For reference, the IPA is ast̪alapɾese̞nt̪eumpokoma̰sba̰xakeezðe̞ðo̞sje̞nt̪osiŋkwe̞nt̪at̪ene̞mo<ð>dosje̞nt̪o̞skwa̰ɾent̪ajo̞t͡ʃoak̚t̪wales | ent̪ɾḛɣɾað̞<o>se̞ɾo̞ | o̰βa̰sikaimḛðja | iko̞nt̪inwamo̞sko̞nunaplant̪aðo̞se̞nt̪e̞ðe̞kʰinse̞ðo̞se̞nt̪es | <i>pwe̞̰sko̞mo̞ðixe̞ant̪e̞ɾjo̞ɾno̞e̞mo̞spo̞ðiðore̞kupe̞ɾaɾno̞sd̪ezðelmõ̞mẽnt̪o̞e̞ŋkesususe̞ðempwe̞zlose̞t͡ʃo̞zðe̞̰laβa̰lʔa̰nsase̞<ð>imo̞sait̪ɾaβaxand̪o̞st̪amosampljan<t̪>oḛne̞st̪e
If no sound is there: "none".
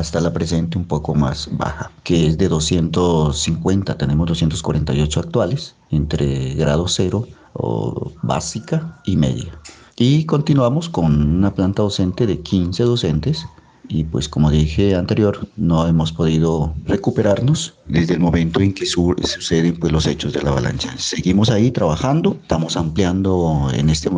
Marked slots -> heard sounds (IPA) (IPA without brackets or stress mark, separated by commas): z, o, i, ɣ, d̪